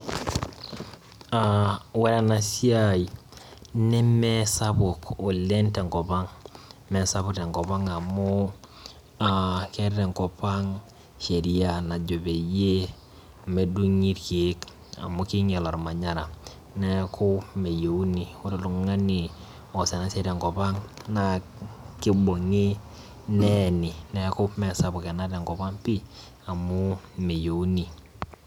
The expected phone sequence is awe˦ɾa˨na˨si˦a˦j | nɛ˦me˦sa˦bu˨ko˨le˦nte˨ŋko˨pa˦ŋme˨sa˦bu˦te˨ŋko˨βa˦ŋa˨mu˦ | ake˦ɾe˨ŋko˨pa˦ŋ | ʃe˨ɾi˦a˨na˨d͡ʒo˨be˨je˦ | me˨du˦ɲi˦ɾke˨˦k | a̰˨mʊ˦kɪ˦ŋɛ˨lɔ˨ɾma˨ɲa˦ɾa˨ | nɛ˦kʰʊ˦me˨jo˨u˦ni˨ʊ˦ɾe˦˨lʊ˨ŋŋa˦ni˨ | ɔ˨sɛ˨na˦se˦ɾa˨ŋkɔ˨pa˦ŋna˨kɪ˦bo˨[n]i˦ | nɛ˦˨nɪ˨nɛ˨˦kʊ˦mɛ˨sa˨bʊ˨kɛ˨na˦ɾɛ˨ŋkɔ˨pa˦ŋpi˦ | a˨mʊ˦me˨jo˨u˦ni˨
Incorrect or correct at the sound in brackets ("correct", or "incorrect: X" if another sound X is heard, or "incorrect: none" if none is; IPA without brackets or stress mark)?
incorrect: ŋ